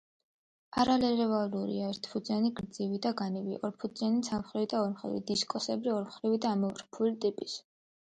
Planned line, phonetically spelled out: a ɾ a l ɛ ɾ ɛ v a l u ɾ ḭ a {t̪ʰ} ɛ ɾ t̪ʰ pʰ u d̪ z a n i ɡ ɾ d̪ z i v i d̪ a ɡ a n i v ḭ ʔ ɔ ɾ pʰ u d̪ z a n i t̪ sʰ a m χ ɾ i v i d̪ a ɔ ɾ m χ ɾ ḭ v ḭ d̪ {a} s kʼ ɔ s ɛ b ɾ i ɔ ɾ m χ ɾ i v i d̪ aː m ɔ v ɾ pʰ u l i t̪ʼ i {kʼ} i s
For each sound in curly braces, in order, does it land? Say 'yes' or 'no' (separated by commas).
no, no, no